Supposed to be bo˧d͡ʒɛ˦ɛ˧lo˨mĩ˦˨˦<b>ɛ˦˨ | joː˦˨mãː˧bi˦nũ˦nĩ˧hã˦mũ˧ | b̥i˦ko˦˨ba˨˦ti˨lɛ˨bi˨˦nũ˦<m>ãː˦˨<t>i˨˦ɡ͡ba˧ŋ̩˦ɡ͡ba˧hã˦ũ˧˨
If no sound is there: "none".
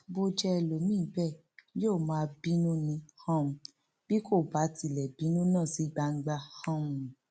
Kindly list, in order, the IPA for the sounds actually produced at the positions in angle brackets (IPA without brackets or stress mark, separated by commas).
b, n, s